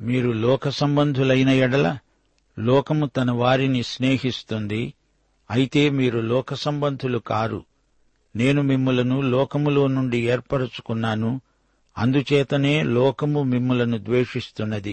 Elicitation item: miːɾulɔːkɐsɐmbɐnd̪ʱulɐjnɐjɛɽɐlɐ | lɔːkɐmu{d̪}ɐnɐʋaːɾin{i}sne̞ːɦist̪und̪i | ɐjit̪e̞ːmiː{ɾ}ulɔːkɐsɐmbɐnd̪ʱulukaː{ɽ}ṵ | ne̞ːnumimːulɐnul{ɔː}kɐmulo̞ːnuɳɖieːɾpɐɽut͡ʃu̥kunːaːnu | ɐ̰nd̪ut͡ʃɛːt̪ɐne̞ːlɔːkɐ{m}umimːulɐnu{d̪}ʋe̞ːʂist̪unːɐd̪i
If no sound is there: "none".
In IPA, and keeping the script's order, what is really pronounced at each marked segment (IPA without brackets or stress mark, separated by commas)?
t̪, i, ɾ, ɾ, ɔː, m, d̪